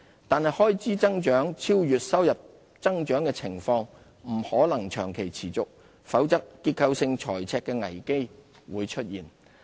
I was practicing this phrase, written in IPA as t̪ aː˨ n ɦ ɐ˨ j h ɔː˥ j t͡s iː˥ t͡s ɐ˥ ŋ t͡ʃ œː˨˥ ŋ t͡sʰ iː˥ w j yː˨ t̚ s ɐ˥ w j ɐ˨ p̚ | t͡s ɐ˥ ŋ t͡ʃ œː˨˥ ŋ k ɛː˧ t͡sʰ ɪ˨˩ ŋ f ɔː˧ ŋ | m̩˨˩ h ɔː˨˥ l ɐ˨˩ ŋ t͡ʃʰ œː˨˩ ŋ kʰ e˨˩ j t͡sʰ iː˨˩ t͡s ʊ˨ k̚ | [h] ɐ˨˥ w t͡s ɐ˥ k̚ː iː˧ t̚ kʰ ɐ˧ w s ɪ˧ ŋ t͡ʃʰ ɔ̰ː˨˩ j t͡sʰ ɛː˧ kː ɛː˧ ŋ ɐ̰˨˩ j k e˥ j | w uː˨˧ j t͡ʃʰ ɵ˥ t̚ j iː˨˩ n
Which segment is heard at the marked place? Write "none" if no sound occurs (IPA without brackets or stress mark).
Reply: f